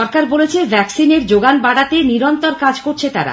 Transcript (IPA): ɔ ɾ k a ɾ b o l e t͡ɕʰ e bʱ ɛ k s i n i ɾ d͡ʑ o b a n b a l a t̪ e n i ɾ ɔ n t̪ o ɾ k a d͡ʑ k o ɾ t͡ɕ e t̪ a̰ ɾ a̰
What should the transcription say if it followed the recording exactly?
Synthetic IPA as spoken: ɔ ɾ k a ɾ b o l e t͡ɕʰ e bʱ ɛ k s i n e ɾ d͡ʑ o ɡ a n b a ɽ a t̪ e n i ɾ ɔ n t̪ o ɾ k a d͡ʑ k o ɾ t͡ɕʰ e t̪ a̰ ɾ a̰